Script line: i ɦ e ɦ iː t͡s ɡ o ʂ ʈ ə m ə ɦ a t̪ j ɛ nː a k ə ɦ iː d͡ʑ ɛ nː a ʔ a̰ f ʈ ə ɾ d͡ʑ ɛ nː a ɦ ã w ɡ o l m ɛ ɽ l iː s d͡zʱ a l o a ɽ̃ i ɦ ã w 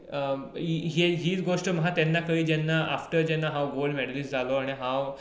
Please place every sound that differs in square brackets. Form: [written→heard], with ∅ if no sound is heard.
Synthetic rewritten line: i ɦ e ɦ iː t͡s ɡ o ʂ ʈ ə m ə ɦ a t̪ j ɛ nː a k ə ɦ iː d͡ʑ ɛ nː a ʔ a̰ f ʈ ə ɾ d͡ʑ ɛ nː a ɦ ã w ɡ o l m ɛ ɽ l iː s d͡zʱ a l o a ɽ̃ i ɦ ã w